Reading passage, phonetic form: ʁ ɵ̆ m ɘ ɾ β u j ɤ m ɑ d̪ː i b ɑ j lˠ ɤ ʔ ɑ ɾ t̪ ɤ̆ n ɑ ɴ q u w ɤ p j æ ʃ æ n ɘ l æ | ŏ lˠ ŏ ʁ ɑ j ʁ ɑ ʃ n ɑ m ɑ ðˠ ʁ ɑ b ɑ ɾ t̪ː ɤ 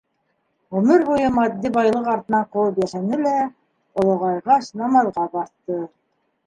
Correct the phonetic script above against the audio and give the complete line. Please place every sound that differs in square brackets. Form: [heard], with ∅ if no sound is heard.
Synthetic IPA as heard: ʁ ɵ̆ m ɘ ɾ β u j ɤ m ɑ d̪ː i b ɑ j lˠ ɤ [q] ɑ ɾ t̪ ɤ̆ n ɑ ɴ q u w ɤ p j æ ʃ æ n ɘ l æ | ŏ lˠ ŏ ʁ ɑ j ʁ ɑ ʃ n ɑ m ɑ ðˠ ʁ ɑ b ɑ ɾ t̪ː ɤ